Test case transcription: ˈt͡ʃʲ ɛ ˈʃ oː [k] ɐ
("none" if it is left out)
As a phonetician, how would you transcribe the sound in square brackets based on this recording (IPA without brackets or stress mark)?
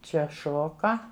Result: k